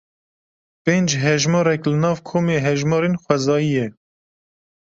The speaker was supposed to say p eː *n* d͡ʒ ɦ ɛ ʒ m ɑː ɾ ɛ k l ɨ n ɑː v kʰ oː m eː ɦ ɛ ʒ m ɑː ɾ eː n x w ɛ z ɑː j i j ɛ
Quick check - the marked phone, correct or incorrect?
correct